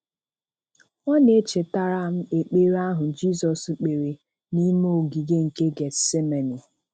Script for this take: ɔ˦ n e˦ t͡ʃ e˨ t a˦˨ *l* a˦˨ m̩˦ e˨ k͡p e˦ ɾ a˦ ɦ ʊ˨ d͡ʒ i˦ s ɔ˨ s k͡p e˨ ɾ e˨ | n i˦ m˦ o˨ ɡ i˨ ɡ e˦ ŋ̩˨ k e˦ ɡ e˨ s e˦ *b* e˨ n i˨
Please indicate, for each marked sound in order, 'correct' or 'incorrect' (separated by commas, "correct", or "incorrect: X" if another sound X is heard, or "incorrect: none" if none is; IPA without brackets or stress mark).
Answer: incorrect: ɾ, incorrect: m